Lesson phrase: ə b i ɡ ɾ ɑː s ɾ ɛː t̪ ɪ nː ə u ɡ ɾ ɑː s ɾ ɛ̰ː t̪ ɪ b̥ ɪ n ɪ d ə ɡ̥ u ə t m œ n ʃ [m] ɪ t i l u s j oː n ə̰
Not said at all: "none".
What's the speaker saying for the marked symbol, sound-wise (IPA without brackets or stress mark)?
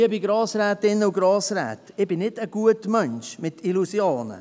m